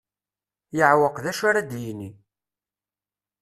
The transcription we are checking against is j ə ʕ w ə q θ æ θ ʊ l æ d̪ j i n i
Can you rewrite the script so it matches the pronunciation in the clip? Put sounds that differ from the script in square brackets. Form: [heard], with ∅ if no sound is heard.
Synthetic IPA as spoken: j ə ʕ w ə q [ð] æ [ʃ] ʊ [ɾ] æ d̪ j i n i